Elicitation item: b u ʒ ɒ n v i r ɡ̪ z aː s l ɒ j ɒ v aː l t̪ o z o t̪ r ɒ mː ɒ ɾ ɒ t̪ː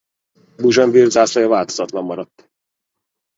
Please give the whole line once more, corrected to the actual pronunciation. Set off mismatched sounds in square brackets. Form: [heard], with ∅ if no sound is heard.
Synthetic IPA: b u ʒ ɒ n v i r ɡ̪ z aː s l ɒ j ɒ v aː l t̪ o z [ɒ] t̪ [l] ɒ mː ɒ ɾ ɒ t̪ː